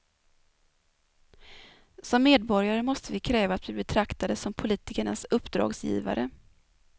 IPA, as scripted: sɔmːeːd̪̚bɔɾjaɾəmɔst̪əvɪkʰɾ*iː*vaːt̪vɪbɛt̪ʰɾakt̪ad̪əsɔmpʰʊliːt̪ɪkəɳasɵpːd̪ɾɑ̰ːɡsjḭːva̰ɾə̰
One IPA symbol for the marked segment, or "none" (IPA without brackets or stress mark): ɛː